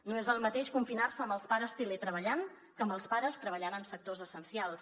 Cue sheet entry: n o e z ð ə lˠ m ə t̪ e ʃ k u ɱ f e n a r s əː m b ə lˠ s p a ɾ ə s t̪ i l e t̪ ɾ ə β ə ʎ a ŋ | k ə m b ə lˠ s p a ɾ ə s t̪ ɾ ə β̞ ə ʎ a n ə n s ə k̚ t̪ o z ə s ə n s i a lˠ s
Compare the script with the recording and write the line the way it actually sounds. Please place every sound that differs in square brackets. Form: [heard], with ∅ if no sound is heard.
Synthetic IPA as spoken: n o e z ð ə lˠ m ə t̪ e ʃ k u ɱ f [i] n a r s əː m b ə lˠ s p a ɾ ə s t̪ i l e t̪ ɾ ə β ə ʎ a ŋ | k ə m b ə lˠ s p a ɾ ə s t̪ ɾ ə β̞ ə ʎ a n ə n s ə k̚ t̪ o z ə s ə n s i a lˠ s